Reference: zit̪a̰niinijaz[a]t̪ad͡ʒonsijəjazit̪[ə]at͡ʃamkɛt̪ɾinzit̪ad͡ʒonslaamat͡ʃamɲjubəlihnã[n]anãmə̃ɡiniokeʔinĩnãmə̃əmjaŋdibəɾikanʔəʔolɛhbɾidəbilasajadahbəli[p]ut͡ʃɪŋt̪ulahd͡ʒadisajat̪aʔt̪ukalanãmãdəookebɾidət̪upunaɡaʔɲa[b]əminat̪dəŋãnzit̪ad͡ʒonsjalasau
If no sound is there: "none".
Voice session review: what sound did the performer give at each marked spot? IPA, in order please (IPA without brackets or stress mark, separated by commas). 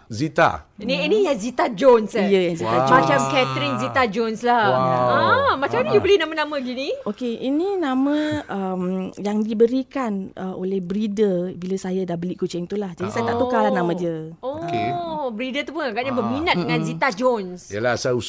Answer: i, a, m, k, b